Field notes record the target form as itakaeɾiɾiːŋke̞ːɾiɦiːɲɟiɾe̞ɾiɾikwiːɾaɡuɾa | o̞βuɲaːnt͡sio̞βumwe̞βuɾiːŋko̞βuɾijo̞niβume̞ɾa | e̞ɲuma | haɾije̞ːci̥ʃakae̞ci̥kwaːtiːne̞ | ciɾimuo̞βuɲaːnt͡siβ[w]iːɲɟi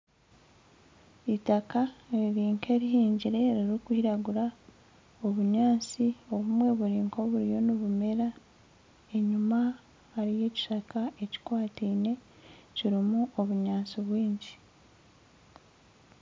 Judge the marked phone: correct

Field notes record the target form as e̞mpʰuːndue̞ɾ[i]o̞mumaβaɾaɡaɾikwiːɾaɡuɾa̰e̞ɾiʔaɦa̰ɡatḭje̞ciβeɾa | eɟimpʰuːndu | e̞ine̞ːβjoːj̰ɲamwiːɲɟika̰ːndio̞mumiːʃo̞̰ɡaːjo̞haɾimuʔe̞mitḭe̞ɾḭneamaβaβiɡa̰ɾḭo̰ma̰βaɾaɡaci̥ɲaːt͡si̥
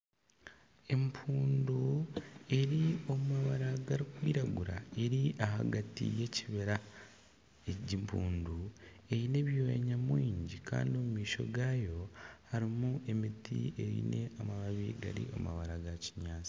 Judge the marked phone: correct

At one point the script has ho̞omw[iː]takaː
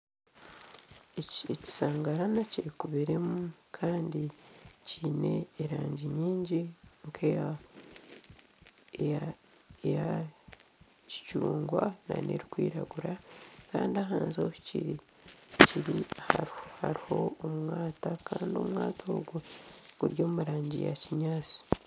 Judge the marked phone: incorrect: aː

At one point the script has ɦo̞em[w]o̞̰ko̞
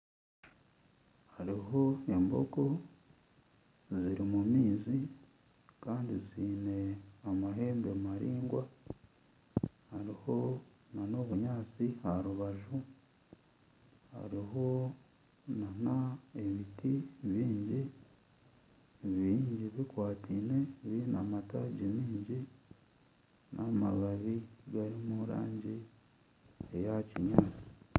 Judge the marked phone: incorrect: b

